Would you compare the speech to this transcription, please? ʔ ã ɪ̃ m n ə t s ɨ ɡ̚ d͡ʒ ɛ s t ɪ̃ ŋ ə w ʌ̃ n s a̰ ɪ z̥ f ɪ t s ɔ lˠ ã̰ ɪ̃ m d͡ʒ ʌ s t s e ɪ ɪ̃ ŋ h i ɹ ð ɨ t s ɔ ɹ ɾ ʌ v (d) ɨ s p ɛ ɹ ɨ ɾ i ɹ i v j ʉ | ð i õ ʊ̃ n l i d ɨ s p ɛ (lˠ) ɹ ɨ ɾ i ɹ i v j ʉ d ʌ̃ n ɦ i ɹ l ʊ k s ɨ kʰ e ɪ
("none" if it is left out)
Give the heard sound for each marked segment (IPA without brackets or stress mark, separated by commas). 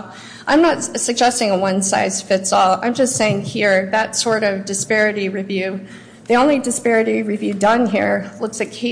d, none